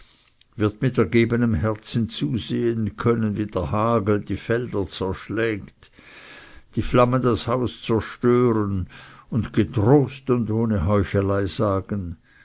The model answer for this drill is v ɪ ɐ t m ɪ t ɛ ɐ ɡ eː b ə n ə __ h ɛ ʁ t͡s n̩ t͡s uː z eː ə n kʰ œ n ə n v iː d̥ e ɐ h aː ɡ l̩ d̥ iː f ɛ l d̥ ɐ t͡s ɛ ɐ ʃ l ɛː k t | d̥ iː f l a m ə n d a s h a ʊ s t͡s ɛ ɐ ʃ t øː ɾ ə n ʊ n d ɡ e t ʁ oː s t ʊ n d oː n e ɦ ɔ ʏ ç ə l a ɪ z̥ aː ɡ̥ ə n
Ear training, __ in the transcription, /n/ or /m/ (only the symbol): m